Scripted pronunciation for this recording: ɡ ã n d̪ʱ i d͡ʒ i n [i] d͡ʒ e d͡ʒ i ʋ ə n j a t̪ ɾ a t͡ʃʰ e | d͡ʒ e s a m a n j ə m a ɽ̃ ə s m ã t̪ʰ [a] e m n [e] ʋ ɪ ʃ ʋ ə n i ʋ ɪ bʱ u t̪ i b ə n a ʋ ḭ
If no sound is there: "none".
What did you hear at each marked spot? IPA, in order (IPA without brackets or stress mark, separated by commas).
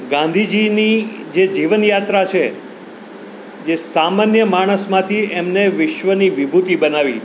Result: i, i, e